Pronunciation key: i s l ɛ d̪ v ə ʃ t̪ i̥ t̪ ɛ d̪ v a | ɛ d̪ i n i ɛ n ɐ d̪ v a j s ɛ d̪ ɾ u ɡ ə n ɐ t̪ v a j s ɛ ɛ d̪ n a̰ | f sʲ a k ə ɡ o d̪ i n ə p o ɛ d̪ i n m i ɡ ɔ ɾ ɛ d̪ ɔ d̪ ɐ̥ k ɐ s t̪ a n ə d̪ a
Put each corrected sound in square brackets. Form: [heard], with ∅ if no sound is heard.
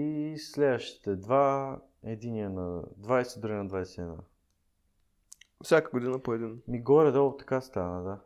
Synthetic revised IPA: i s l ɛ d̪ v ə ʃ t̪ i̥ t̪ ɛ d̪ v a | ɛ d̪ i n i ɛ n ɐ d̪ v a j s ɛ d̪ ɾ u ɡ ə n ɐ [d̪] v a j s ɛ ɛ d̪ n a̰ | f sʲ a k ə ɡ o d̪ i n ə p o ɛ d̪ i n m i ɡ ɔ ɾ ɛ d̪ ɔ [t̪] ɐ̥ k [a] s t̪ a n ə d̪ a